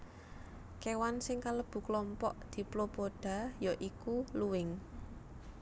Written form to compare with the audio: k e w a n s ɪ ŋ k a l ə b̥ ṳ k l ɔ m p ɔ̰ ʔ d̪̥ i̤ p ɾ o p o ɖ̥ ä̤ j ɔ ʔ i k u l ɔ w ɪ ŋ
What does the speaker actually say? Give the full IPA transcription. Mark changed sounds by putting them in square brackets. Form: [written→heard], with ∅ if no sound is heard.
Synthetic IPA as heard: k e w a n s ɪ ŋ k a l ə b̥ ṳ k l ɔ m p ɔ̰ ʔ d̪̥ i̤ p [ɾ→l] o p o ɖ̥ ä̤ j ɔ ʔ i k u l [ɔ→u] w ɪ ŋ